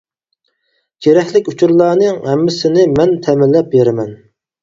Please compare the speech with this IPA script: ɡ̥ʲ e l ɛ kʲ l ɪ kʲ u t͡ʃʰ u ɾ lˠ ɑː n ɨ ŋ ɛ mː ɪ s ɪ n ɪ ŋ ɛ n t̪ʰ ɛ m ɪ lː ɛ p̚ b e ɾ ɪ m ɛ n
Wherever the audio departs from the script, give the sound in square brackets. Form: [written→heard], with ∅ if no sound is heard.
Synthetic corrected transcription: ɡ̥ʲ e [l→ɾ] ɛ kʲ l ɪ kʲ u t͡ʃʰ u ɾ lˠ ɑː n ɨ ŋ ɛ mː ɪ s ɪ n ɪ [ŋ→m] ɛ n t̪ʰ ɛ m ɪ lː ɛ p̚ b e ɾ ɪ m ɛ n